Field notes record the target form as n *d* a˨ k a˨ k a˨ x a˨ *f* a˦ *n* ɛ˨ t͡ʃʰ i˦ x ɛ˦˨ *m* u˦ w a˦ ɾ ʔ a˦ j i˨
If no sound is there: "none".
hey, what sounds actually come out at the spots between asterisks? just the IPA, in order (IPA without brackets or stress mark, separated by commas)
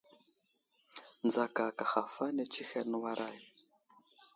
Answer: d͡z, f, n, n